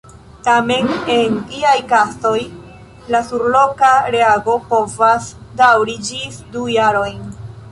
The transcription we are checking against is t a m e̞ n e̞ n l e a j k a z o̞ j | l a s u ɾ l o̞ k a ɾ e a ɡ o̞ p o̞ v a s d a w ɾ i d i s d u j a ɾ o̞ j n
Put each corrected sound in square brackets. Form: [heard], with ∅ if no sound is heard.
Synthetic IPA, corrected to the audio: t a m e̞ n e̞ n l [i] a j k a [s] o̞ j | l a s u ɾ l o̞ k a ɾ e a ɡ o̞ p o̞ v a s d a w ɾ i [d͡ʒ] i s d u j a ɾ o̞ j n

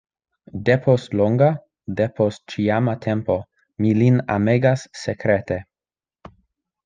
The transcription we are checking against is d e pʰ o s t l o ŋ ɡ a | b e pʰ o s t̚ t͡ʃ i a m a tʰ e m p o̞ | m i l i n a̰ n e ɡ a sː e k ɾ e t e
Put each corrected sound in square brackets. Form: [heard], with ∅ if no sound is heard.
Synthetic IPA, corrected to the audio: d e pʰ o s t l o ŋ ɡ a | [d] e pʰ o s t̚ t͡ʃ i a m a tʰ e m p o̞ | m i l i n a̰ [m] e ɡ a sː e k ɾ e t e

